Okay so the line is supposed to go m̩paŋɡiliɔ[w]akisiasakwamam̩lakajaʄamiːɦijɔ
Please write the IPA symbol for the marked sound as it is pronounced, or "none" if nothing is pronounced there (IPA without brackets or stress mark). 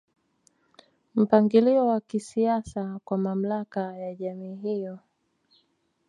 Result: w